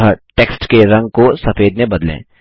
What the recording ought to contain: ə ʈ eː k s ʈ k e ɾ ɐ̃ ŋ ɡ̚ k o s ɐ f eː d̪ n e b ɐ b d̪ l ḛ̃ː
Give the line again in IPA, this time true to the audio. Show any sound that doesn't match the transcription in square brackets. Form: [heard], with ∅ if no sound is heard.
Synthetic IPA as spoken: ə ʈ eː k s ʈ k e ɾ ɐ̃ ŋ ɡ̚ k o s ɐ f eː d̪ n e b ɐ [∅] d̪ l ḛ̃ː

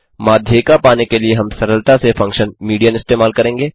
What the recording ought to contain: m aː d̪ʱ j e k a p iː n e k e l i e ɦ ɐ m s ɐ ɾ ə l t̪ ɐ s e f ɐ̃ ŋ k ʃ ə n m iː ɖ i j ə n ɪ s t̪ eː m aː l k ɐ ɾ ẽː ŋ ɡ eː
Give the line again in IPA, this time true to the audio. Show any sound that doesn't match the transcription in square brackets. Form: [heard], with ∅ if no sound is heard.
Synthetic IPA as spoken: m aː d̪ʱ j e k a p [aː] n e k e l i e ɦ ɐ m s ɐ ɾ ə l t̪ [a] s e f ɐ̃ ŋ k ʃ ə n m iː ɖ i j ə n ɪ s t̪ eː m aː l k ɐ ɾ ẽː ŋ ɡ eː

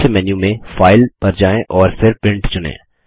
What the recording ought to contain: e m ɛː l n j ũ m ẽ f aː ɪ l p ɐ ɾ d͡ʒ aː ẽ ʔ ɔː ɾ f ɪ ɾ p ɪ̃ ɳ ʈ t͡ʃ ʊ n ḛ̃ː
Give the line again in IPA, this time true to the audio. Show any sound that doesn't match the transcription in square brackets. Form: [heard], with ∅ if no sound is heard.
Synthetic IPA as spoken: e m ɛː [∅] n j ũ m ẽ f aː ɪ l p ɐ ɾ d͡ʒ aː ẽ ʔ ɔː ɾ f ɪ ɾ p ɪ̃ ɳ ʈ t͡ʃ ʊ n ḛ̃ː

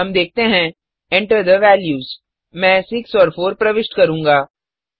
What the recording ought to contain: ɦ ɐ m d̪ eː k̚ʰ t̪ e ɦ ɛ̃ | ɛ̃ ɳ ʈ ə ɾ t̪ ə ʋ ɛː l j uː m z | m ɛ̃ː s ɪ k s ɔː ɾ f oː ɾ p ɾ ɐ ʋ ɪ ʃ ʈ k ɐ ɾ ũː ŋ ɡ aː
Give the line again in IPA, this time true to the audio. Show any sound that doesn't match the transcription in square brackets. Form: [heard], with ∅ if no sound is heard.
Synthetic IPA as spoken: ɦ ɐ m d̪ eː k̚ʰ t̪ e ɦ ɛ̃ | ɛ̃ ɳ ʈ ə ɾ [d̪] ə ʋ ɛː l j uː [∅] z | m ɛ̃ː s ɪ k s ɔː ɾ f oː ɾ p ɾ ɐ ʋ ɪ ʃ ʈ k ɐ ɾ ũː ŋ ɡ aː

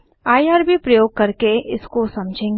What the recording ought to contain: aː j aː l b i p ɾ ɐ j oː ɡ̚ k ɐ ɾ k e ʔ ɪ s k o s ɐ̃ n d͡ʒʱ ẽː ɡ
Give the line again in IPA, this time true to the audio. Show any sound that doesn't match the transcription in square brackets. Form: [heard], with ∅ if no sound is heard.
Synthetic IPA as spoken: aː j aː [ɾ] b i p ɾ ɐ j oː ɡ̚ k ɐ ɾ k e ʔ ɪ s k o s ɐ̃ [m] d͡ʒʱ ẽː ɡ

